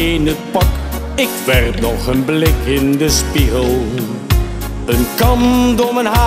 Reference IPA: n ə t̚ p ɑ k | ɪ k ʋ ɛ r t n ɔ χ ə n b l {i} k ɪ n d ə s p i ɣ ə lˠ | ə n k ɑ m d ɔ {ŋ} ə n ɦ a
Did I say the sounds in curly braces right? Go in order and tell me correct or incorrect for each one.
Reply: incorrect: ɪ, incorrect: m

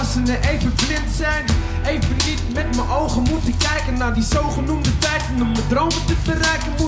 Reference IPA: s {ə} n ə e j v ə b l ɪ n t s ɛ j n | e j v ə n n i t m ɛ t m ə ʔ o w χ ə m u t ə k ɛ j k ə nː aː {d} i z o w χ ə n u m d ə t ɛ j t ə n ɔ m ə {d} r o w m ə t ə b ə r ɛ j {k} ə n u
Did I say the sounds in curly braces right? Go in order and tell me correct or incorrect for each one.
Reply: correct, correct, correct, correct

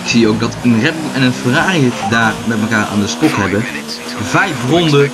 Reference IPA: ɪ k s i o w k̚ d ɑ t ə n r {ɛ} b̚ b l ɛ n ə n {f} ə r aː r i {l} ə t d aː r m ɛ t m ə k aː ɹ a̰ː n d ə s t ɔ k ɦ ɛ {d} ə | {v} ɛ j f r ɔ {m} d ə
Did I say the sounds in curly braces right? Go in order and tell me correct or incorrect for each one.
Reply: correct, correct, incorrect: none, incorrect: b, correct, incorrect: n

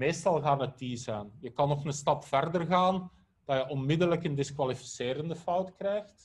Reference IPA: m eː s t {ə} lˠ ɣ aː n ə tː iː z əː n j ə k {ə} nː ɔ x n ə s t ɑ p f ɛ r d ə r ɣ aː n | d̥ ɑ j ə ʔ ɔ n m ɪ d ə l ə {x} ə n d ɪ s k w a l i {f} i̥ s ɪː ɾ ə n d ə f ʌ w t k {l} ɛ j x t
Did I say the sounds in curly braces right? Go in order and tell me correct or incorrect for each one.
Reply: incorrect: ɑ, incorrect: ɑ, incorrect: k, correct, incorrect: r

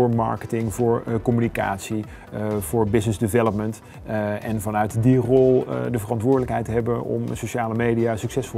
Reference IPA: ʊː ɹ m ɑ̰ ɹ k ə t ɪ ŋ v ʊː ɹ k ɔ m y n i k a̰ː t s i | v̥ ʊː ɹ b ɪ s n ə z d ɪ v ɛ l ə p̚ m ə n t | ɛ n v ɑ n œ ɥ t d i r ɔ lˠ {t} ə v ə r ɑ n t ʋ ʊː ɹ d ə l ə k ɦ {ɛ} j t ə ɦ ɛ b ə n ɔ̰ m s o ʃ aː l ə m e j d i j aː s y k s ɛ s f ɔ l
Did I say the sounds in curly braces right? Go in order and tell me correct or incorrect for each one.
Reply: incorrect: d, correct

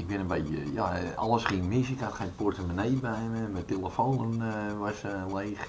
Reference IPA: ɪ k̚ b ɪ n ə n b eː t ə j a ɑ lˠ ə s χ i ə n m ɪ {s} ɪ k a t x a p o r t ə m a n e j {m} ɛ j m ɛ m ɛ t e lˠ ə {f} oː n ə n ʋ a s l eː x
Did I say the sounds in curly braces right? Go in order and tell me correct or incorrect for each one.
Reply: correct, incorrect: b, correct

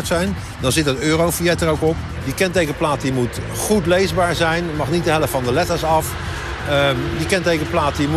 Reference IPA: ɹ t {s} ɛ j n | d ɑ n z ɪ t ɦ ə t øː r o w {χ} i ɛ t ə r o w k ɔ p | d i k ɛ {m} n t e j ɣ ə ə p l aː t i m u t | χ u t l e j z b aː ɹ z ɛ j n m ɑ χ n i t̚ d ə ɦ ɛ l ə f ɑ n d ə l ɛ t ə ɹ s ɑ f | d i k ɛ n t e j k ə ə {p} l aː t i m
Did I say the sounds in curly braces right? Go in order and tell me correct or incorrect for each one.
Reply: correct, incorrect: f, incorrect: none, correct

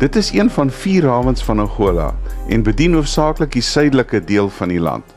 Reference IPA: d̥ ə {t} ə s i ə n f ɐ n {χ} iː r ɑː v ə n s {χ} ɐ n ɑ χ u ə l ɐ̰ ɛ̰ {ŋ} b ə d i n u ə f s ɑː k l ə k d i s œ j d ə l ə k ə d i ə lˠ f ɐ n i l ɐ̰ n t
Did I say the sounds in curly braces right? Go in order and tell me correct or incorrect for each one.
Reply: correct, incorrect: f, incorrect: f, incorrect: n

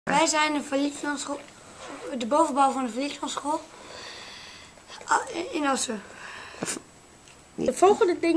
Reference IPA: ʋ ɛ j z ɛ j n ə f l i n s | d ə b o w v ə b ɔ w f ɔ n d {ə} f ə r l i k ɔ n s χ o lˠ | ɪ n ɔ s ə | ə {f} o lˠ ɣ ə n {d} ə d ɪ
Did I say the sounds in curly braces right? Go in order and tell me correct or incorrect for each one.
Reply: correct, correct, correct

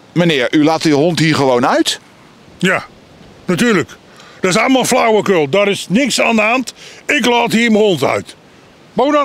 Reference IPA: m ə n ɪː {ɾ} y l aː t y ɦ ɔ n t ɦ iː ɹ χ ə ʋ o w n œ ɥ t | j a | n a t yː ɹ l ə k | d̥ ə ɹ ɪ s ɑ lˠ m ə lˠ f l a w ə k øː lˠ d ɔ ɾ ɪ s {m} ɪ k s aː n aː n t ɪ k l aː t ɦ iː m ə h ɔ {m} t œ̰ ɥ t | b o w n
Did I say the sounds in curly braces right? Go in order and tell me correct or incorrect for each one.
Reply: incorrect: ɹ, incorrect: n, incorrect: n

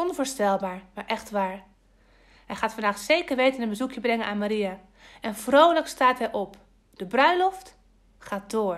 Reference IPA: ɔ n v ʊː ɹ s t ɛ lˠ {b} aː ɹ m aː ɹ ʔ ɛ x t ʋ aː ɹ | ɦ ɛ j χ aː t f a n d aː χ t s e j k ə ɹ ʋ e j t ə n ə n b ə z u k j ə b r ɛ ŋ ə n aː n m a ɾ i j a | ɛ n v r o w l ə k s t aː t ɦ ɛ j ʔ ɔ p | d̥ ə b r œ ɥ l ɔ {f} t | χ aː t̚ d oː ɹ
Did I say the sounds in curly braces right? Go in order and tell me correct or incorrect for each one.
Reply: correct, correct

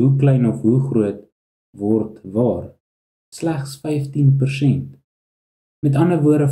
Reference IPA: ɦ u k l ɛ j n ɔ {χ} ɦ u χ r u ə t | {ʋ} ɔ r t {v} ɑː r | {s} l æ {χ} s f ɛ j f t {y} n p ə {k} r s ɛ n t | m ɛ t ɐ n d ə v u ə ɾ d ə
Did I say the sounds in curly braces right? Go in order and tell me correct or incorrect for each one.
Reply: incorrect: f, incorrect: v, correct, correct, correct, incorrect: i, incorrect: none

